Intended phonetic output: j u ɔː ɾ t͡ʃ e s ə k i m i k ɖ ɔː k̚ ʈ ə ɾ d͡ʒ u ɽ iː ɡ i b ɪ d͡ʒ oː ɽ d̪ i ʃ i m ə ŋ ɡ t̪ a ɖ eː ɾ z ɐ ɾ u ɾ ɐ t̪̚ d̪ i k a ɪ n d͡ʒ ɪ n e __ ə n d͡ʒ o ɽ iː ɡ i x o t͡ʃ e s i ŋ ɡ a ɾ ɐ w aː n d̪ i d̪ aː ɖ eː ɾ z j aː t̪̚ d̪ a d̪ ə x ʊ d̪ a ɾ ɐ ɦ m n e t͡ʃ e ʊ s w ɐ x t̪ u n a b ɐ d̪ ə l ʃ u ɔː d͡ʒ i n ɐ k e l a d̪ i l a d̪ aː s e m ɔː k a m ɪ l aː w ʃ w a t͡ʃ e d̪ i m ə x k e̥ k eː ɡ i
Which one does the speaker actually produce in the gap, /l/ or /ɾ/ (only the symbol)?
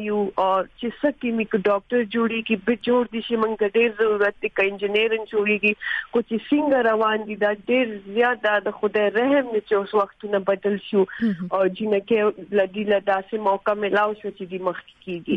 ɾ